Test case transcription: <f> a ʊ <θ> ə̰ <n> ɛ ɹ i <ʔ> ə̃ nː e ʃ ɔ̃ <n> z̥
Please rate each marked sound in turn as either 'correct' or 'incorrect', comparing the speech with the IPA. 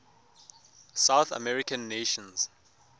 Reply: incorrect, correct, incorrect, incorrect, correct

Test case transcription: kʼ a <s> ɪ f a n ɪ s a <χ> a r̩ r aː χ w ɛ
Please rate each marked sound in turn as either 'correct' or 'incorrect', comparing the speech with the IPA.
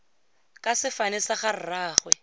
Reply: correct, correct

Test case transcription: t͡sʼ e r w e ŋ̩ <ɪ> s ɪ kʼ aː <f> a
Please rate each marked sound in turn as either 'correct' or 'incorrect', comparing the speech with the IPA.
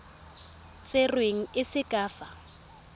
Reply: correct, correct

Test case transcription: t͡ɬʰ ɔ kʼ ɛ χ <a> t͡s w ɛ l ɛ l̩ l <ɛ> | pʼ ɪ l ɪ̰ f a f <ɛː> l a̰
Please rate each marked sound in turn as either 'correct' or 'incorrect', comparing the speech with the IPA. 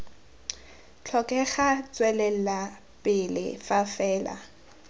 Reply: correct, incorrect, correct

